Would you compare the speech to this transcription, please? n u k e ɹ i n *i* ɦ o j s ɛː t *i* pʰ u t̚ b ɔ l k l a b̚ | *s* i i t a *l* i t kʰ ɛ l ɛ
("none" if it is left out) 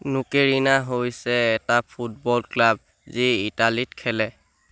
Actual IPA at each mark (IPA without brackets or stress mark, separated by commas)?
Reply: a, a, z, l